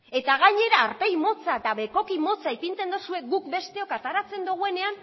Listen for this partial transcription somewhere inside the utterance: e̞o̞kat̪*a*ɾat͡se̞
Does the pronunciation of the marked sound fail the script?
no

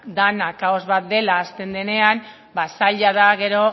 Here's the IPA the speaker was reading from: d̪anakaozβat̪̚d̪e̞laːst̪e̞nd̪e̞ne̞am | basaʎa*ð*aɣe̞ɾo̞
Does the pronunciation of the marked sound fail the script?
no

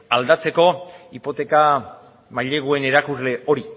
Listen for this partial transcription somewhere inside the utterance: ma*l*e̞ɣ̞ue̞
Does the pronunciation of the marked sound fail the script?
yes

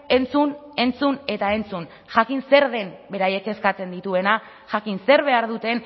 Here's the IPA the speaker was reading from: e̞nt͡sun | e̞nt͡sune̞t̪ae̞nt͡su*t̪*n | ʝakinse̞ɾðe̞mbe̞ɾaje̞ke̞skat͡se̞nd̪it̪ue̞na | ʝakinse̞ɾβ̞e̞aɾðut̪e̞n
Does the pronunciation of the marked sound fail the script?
yes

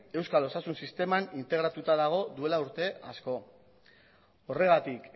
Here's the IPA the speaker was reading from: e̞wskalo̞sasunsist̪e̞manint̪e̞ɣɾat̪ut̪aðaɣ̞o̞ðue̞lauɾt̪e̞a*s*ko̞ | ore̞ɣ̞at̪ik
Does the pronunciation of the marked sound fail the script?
no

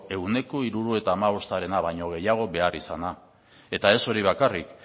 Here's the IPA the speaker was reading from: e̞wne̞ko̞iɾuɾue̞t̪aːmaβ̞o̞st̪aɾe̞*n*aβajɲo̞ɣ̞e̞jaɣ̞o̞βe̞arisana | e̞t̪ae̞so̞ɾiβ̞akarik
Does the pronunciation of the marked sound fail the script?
no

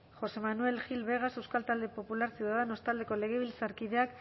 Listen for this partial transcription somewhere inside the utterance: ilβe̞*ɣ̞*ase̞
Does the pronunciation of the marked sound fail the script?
no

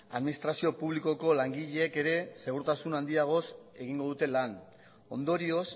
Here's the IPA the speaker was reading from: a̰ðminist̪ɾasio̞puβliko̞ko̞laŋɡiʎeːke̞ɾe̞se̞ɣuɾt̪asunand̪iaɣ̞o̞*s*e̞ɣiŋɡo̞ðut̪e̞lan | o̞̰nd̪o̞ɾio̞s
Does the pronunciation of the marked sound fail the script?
no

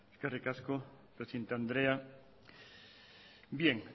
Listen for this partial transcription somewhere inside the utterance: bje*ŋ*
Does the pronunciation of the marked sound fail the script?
no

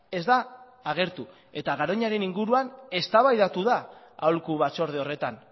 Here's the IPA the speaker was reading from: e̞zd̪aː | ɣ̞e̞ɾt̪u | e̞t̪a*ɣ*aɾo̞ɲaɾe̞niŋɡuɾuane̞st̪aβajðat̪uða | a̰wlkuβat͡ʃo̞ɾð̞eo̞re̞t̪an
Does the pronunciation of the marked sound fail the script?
no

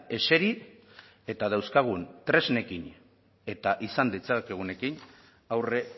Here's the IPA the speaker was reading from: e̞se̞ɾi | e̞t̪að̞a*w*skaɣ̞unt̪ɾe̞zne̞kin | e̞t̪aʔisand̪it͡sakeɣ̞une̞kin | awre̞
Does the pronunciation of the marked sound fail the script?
no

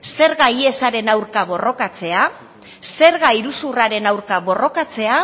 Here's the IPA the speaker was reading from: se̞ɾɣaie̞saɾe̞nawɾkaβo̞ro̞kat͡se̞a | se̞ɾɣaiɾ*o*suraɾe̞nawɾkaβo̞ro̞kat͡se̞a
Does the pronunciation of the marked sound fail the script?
yes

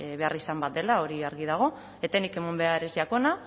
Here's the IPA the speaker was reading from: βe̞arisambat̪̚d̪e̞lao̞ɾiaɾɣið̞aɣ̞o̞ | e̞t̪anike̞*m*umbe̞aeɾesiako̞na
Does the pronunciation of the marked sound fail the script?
no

